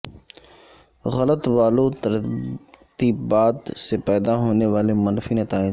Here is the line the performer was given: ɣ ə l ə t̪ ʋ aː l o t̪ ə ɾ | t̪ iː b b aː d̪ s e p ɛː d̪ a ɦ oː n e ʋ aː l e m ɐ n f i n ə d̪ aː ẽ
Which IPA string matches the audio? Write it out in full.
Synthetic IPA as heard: ɣ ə l ə t̪ ʋ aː l o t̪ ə ɾ | t̪ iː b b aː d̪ s e p ɛː d̪ a ɦ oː n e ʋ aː l e m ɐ n f i n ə t̪ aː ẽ